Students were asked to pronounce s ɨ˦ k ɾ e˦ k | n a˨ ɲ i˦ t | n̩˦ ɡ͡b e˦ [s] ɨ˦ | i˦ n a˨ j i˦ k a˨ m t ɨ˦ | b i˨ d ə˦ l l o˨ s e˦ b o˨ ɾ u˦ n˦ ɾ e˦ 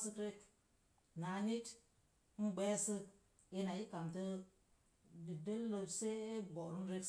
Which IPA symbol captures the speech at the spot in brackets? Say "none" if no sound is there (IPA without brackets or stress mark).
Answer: s